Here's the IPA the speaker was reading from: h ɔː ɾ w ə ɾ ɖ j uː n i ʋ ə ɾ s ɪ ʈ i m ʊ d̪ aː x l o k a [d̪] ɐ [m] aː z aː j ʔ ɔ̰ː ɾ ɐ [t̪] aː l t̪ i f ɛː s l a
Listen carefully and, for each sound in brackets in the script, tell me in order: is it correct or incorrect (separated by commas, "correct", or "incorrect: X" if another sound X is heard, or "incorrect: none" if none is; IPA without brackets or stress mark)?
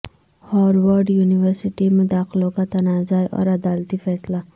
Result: incorrect: t̪, incorrect: n, incorrect: d̪